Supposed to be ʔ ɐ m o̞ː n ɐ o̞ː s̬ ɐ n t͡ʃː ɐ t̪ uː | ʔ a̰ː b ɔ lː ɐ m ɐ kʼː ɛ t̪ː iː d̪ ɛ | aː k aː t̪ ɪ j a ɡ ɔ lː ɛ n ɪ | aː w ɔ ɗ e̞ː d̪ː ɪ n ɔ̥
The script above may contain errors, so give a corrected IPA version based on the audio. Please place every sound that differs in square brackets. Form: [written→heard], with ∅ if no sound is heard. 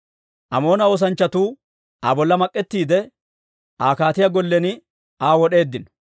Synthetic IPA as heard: ʔ ɐ m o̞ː n ɐ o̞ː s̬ ɐ n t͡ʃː ɐ t̪ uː | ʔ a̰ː b ɔ lː ɐ m ɐ kʼː ɛ t̪ː iː d̪ ɛ | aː k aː t̪ ɪ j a ɡ ɔ lː ɛ n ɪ | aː w ɔ ɗ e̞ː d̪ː ɪ n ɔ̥